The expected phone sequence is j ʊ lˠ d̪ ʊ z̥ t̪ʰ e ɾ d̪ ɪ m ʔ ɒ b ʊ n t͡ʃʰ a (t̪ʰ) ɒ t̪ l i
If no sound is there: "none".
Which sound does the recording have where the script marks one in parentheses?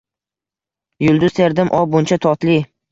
t̪ʰ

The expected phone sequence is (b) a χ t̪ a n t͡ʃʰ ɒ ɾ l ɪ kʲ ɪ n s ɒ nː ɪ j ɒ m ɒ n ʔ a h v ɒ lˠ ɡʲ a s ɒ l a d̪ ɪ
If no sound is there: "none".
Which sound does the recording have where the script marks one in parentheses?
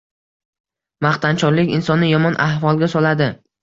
m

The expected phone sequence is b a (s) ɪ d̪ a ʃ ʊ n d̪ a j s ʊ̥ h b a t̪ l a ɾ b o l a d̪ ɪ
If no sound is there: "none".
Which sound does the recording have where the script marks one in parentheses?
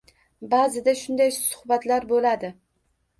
z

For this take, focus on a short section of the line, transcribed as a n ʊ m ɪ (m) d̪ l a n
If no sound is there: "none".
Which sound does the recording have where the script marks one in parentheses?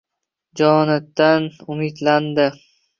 none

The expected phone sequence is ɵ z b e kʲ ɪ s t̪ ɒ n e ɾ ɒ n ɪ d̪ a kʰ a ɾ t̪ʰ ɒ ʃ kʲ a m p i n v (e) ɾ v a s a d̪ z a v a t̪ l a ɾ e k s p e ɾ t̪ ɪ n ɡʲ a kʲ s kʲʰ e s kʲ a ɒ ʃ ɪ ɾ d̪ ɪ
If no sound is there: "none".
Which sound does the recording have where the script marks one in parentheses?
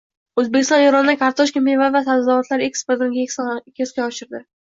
a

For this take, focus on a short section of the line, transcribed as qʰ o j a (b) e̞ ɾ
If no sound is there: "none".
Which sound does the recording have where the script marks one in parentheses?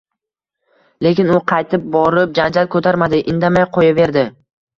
v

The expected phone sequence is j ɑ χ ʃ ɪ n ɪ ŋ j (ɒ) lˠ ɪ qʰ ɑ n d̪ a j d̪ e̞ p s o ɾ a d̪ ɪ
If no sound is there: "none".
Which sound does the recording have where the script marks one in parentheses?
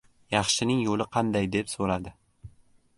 o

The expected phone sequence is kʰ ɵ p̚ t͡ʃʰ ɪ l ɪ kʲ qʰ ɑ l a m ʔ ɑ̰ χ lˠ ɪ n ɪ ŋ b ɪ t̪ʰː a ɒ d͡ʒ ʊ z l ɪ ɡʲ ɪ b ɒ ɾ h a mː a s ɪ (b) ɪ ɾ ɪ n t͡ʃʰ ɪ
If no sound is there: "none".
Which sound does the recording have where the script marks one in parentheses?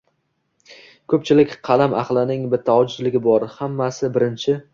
b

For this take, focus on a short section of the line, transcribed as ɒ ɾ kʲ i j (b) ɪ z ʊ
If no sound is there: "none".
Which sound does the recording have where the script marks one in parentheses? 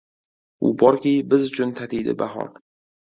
b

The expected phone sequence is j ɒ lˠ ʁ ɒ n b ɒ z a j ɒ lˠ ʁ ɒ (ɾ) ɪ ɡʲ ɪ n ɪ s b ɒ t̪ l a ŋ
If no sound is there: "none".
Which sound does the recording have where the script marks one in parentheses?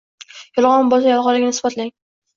l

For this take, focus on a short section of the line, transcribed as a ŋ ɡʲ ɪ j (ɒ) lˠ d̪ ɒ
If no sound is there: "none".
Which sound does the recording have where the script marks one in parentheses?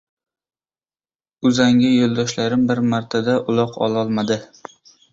o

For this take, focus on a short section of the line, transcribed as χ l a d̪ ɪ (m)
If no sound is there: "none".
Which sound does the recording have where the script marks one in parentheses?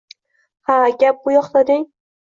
ŋ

